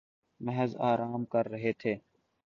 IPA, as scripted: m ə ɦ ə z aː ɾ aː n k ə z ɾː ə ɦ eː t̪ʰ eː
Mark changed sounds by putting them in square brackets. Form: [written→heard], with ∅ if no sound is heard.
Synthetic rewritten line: m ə ɦ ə z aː ɾ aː [n→m] k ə [z→∅] ɾː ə ɦ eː t̪ʰ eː